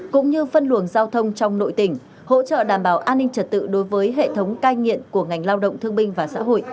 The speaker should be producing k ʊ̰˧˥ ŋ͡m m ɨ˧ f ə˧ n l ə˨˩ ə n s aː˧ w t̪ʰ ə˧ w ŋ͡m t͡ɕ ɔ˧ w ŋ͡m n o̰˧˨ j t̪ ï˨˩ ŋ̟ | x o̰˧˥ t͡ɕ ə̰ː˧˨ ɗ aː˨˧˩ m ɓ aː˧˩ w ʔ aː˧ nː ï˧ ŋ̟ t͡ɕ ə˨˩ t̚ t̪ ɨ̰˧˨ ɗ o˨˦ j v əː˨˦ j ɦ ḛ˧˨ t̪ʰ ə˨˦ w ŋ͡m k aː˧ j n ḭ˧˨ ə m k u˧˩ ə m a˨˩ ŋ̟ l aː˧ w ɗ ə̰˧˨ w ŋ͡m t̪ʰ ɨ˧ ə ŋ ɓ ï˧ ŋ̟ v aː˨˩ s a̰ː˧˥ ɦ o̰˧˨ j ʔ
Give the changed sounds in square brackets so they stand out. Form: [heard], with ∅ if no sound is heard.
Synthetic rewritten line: k ʊ̰˧˥ ŋ͡m [ɲ] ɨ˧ f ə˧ n l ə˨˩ ə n [z] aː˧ w t̪ʰ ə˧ w ŋ͡m t͡ɕ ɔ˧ w ŋ͡m n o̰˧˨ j t̪ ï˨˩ ŋ̟ | [h] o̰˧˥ t͡ɕ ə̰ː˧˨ ɗ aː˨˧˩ m ɓ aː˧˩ w ʔ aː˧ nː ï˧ ŋ̟ t͡ɕ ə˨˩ t̚ t̪ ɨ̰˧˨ ɗ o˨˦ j v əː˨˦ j ɦ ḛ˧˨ t̪ʰ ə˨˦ w ŋ͡m k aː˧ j [ŋ] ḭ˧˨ ə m k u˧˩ ə [ŋ] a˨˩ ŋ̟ l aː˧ w ɗ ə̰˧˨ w ŋ͡m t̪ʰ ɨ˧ ə ŋ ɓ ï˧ ŋ̟ v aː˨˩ s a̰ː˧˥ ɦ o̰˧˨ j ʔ